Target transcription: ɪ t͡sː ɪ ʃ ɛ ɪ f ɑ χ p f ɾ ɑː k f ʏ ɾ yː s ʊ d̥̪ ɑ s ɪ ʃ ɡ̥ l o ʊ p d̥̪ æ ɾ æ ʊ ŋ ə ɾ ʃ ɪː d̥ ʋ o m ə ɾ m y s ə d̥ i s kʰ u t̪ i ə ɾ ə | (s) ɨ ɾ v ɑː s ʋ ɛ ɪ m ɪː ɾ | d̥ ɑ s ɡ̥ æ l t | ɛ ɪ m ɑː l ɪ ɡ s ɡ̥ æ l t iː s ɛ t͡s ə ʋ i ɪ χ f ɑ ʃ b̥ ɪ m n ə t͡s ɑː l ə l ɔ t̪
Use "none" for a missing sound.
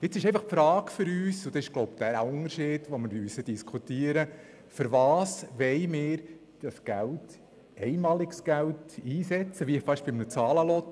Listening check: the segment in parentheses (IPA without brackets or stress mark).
f